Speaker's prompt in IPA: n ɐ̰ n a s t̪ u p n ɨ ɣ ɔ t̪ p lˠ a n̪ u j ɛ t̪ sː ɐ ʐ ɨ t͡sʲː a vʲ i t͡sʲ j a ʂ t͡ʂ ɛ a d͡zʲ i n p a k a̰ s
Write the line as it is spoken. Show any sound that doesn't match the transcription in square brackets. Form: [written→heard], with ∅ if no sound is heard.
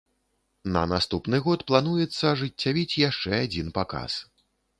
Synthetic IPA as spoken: n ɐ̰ n a s t̪ u p n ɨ ɣ ɔ t̪ p lˠ a n̪ u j ɛ t̪ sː ɐ ʐ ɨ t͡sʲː a vʲ i t͡sʲ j a ʂ t͡ʂ ɛ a d͡zʲ i n p a k a̰ s